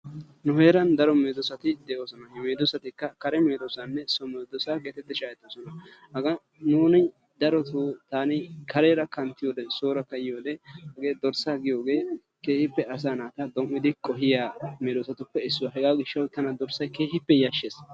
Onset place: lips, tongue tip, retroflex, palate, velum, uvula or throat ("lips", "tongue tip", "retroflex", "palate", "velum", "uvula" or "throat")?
tongue tip